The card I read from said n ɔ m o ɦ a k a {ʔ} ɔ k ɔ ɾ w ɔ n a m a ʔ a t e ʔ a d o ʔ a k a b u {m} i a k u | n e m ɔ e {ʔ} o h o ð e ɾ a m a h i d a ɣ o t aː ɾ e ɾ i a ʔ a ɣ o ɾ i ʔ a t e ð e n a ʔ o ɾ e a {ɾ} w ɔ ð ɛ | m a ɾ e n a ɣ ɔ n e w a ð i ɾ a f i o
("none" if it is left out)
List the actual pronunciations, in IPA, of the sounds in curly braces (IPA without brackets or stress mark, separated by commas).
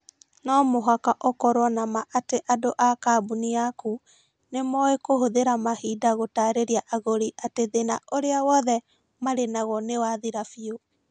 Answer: ʔ, n, k, none